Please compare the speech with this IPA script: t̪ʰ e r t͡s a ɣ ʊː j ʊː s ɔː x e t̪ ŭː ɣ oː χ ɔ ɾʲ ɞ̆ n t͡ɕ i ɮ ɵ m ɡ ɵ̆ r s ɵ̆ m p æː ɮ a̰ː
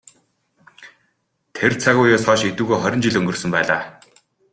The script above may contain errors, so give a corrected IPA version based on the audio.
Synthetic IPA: t̪ʰ e r t͡sʰ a ɣ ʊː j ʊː s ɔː ʃ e t̪ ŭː ɣ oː χ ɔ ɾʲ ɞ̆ n t͡ɕ i ɮ ɵ ŋ ɡ ɵ̆ r s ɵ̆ m p æː ɮ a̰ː